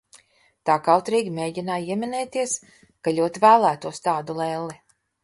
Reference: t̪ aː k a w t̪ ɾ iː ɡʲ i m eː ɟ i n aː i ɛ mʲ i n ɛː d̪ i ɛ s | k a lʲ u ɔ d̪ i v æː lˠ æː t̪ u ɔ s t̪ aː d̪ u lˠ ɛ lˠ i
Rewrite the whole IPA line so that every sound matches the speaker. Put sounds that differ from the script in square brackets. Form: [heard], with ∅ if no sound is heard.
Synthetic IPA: t̪ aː k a w t̪ ɾ iː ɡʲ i m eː ɟ i n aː i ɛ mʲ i n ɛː [t̪] i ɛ s | k a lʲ u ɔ [t̪] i v æː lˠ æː t̪ u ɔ s t̪ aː d̪ u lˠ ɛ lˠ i